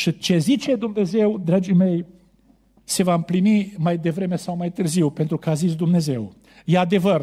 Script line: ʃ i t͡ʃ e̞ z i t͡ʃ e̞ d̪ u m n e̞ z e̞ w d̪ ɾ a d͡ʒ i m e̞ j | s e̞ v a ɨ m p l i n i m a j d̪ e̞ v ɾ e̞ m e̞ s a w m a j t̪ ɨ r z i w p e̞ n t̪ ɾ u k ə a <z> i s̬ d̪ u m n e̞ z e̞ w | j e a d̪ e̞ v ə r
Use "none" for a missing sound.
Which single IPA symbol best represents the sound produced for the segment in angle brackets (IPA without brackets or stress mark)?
z